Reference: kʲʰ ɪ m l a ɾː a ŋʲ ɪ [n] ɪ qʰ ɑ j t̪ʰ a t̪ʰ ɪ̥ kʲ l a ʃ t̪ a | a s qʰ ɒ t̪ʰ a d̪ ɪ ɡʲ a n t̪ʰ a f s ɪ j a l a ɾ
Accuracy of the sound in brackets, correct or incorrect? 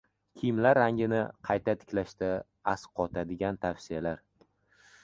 correct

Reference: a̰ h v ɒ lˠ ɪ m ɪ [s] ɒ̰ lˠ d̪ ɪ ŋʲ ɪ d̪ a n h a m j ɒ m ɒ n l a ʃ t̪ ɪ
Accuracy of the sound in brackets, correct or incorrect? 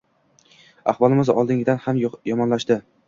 incorrect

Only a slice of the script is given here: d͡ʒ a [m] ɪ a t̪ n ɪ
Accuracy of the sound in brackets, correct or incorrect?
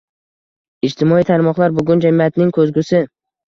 correct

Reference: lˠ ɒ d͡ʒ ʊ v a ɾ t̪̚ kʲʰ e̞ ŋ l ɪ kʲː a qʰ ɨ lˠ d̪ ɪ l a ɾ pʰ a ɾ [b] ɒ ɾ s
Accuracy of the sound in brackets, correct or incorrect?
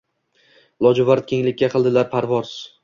incorrect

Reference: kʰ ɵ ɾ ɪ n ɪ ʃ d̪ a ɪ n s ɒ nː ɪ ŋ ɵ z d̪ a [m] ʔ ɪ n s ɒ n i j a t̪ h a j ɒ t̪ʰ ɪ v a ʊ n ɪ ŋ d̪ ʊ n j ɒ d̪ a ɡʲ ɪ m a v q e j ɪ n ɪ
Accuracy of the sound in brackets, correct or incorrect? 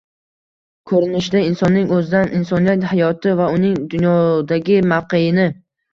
incorrect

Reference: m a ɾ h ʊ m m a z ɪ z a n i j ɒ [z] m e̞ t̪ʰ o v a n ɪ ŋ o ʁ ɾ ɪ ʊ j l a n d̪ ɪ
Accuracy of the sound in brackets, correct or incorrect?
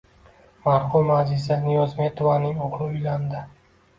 correct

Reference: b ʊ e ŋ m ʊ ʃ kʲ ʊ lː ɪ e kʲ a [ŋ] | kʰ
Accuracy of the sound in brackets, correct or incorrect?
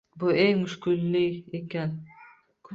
incorrect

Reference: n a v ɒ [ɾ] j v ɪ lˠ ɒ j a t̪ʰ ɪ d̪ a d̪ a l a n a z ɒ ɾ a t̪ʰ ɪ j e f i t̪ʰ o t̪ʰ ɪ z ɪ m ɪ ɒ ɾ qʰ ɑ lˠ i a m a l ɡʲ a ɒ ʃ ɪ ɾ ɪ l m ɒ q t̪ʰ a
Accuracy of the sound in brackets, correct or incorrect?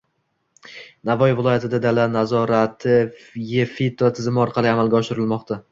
incorrect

